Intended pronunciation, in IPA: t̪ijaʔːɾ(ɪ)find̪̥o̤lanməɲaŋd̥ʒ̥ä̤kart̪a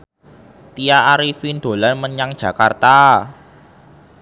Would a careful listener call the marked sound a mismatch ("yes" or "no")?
yes